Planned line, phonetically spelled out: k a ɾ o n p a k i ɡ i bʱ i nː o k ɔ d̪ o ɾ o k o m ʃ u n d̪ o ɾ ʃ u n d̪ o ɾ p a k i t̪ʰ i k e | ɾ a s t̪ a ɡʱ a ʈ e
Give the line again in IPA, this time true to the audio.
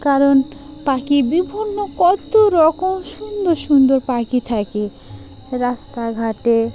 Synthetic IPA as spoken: k a ɾ o n p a k i b i bʱ i nː o k ɔ t̪ o ɾ ɔ k o m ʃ u n d̪ o ɾ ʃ u n d̪ o ɾ p a k i t̪ʰ a k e | ɾ a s t̪ a ɡʱ a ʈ e